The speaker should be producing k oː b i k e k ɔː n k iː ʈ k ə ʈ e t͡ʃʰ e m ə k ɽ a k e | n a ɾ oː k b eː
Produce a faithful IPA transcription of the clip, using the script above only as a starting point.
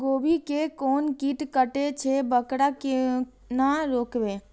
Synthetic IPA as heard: ɡ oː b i k e k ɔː n k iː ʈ k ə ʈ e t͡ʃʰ e b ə k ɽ a k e | n a ɾ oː k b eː

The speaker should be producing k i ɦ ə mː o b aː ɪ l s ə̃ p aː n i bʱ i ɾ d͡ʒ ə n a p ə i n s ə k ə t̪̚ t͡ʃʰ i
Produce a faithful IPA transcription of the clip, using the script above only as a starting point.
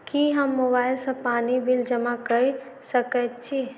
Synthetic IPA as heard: k i ɦ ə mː o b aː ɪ l s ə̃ p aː n i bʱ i l d͡ʒ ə m a k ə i s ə k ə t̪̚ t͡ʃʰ i

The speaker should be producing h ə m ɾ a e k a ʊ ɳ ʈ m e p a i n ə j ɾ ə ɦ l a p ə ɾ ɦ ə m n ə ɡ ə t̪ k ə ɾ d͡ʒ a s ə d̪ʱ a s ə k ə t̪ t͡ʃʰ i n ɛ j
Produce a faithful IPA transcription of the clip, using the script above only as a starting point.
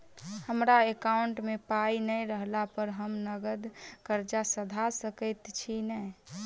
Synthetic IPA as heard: h ə m ɾ a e k a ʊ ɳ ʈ m e p a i n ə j ɾ ə ɦ l a p ə ɾ ɦ ə m n ə ɡ ə d̪ k ə ɾ d͡ʒ a s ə d̪ʱ a s ə k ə t̪ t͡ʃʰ i n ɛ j

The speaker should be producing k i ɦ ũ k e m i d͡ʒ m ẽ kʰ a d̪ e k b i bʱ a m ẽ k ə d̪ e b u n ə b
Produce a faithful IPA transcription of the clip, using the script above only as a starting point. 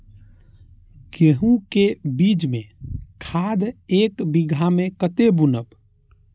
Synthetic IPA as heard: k e ɦ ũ k e b i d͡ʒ m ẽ kʰ a d̪ e k b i ɡʱ a m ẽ k ə t̪ e b u n ə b

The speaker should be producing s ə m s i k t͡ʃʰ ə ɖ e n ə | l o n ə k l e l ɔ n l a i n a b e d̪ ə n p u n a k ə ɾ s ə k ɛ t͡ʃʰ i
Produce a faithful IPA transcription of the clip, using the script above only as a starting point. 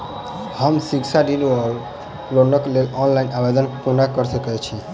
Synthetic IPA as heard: h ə m s i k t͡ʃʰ a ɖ i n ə | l o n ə k l e l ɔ n l a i n a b e d̪ ə n p u n a k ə ɾ s ə k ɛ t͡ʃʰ i

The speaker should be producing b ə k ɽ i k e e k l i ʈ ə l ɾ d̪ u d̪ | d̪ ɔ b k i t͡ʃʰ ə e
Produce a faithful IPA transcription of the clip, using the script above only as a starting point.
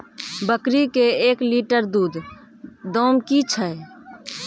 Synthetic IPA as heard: b ə k ɾ i k e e k l i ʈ ə ɾ d̪ u d̪ | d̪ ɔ m k i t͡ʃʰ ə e

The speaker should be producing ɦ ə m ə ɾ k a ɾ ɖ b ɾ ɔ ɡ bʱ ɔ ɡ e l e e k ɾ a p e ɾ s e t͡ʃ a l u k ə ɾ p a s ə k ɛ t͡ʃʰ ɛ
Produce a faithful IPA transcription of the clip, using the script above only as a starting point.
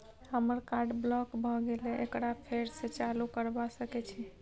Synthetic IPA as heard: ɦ ə m ə ɾ k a ɾ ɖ b l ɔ k bʱ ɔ ɡ e l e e k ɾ a pʰ e ɾ s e t͡ʃ a l u k ə ɾ b a s ə k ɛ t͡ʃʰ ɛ

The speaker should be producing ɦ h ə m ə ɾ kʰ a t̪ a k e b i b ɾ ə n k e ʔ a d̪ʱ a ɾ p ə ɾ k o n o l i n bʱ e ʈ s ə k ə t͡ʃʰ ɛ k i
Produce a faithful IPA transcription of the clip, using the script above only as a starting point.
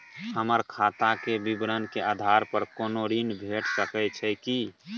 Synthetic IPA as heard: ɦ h ə m ə ɾ kʰ a t̪ a k e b i b ɾ ə n k e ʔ a d̪ʱ a ɾ p ə ɾ k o n o ɾ i n bʱ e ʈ s ə k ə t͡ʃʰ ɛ k i

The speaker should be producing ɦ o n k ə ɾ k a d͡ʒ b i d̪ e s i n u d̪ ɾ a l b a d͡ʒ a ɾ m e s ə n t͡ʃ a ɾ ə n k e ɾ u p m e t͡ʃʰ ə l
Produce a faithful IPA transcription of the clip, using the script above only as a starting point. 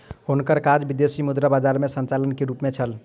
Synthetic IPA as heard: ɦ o n k ə ɾ k a d͡ʒ b i d̪ e s i m u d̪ ɾ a b a d͡ʒ a ɾ m e s ə n t͡ʃ a l ə n k e ɾ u p m e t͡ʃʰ ə l

